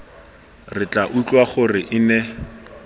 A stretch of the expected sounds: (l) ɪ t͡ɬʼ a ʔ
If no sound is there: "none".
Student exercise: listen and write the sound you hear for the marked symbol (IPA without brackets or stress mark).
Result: r